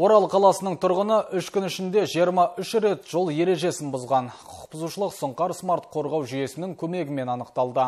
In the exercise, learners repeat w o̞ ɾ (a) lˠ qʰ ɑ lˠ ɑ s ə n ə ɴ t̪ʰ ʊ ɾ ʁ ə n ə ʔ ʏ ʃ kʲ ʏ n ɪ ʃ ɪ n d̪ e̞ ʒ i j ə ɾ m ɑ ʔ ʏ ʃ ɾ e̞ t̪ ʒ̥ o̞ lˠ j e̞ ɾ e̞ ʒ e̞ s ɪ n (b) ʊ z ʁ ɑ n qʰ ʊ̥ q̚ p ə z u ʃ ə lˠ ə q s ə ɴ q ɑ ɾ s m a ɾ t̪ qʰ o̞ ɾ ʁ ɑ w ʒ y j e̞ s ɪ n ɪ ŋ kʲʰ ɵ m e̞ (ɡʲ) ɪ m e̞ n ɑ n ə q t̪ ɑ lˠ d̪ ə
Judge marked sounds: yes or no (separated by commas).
no, yes, yes